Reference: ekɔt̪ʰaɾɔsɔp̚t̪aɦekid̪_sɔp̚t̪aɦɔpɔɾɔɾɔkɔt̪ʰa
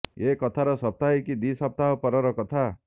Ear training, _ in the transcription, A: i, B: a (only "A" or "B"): A